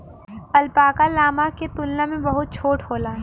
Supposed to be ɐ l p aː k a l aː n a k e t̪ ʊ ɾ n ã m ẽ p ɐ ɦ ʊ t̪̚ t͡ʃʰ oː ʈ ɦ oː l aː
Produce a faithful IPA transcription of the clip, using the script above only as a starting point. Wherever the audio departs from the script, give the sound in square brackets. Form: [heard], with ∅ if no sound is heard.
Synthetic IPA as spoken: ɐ l p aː k a l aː [m] a k e t̪ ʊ [l] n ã m ẽ [b] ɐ ɦ ʊ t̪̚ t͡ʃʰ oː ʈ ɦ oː l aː